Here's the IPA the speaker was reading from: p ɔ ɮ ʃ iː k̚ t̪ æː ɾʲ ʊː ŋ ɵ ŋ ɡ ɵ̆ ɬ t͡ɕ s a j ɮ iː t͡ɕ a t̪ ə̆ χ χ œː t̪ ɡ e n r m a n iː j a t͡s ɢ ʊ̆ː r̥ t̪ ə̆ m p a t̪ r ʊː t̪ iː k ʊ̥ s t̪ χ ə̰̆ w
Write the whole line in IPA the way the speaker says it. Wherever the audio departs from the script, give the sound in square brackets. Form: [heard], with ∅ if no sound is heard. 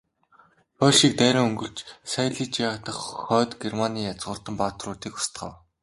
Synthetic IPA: p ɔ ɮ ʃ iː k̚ t̪ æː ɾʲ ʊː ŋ ɵ ŋ ɡ ɵ̆ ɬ t͡ɕ s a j ɮ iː t͡ɕ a t̪ ə̆ χ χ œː t̪ ɡ e [∅] r m a n iː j a t͡s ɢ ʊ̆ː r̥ t̪ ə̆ m p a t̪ r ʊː t̪ iː k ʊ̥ s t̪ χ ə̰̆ w